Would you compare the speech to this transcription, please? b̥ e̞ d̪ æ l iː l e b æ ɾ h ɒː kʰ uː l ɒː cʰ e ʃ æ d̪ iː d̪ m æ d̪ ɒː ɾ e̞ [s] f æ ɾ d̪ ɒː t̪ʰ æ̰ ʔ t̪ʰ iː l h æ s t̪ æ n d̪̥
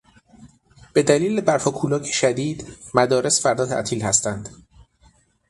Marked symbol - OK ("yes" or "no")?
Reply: yes